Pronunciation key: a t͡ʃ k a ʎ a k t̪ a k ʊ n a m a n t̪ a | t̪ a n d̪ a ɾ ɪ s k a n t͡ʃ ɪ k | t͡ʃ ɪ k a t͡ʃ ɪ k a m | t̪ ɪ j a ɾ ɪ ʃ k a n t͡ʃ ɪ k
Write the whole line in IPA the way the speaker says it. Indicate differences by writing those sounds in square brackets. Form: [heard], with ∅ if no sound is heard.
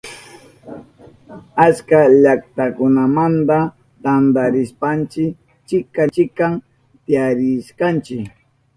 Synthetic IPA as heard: a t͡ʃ k a ʎ a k t̪ a k ʊ n a m a n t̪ a | t̪ a n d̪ a ɾ ɪ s [p] a n t͡ʃ ɪ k | t͡ʃ ɪ k a t͡ʃ ɪ k a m | t̪ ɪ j a ɾ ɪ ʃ k a n t͡ʃ ɪ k